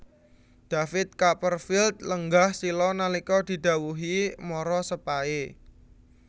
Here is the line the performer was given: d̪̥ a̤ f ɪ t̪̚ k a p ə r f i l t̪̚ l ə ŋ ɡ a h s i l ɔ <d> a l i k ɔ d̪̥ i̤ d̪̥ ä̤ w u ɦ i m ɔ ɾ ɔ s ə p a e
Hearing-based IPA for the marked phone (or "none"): n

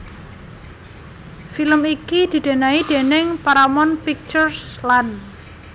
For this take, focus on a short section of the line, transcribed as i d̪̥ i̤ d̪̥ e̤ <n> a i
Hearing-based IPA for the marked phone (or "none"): n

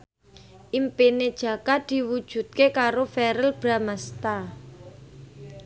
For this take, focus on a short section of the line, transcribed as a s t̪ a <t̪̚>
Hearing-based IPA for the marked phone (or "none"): none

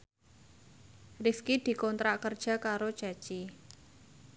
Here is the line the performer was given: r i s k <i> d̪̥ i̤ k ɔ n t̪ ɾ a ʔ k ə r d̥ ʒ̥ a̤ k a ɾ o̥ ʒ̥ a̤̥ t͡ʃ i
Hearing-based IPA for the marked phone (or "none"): i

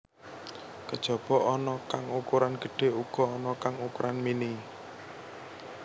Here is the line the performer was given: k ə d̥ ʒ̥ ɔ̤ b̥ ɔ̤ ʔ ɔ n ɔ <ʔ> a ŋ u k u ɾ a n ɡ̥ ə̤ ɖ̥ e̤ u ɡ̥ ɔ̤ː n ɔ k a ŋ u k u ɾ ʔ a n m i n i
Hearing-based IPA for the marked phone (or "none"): k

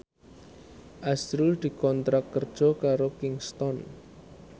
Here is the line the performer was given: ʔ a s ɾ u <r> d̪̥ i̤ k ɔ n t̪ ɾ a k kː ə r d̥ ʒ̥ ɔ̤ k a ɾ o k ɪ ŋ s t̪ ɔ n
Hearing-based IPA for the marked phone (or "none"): l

